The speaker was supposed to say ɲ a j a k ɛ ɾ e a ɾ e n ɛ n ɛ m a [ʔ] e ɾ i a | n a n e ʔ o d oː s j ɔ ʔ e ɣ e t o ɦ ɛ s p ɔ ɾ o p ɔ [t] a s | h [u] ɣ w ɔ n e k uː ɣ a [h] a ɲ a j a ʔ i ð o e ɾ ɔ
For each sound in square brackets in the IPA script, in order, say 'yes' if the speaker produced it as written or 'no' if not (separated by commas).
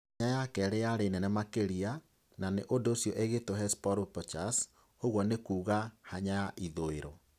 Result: no, no, no, yes